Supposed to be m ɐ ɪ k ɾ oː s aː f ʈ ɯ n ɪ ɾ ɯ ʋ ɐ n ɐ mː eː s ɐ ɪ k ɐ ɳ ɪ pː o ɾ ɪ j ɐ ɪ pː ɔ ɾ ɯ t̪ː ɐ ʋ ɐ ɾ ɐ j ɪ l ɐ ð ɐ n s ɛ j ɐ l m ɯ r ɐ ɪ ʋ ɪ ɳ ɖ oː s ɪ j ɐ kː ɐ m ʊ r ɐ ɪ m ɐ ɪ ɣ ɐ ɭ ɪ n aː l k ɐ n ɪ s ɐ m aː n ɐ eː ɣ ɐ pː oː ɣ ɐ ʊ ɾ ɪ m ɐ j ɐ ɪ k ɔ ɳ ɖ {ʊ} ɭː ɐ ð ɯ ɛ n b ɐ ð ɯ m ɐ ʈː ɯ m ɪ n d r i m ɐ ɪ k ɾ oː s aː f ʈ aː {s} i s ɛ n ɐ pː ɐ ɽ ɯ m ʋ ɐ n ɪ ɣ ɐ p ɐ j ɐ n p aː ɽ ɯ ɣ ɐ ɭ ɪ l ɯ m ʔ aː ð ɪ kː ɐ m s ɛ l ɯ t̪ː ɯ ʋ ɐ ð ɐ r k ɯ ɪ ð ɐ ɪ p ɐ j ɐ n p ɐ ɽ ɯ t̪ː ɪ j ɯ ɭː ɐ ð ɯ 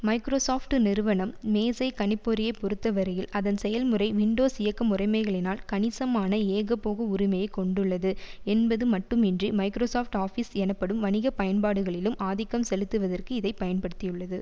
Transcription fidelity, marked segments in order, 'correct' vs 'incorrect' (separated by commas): incorrect, incorrect